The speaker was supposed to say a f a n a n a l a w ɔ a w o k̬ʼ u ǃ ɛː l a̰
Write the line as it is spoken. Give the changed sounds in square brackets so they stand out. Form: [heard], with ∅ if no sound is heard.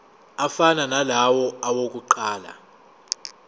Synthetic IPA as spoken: a f a n a n a l a w ɔ a w o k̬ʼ u ǃ [aː] l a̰